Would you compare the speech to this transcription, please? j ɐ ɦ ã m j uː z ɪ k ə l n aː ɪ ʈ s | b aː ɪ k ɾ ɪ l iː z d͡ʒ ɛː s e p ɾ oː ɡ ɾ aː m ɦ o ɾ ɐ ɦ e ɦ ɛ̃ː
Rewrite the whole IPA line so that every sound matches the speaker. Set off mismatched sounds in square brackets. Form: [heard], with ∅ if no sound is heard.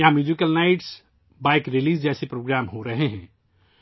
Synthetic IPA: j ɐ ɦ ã m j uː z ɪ k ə l n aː ɪ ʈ s | b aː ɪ k ɾ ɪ l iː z d͡ʒ ɛː s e p ɾ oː ɡ ɾ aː m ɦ o ɾ ɐ ɦ e ɦ ɛ̃ː